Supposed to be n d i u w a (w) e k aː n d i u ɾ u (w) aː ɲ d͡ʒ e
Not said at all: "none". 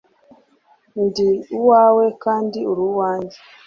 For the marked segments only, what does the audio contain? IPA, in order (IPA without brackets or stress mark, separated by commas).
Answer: w, w